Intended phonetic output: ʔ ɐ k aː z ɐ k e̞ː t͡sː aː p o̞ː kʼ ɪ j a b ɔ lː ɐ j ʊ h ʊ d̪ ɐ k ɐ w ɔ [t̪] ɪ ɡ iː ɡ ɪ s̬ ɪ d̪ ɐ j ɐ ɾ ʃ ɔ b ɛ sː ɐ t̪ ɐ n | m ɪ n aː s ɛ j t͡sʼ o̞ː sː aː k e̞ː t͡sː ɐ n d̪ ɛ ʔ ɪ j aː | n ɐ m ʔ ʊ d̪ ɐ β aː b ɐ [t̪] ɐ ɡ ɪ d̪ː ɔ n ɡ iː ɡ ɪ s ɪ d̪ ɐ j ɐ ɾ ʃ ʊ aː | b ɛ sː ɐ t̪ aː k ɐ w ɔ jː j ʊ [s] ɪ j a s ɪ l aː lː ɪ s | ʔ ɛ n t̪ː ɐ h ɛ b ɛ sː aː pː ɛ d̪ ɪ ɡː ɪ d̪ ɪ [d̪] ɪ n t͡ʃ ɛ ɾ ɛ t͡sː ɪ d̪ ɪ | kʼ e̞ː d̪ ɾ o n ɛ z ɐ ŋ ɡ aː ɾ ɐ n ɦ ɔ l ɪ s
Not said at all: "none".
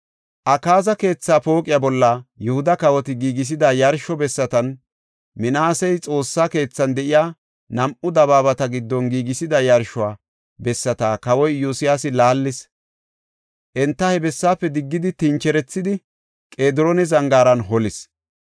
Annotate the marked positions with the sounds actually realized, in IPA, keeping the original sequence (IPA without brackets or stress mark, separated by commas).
t̪, t̪, s, t̪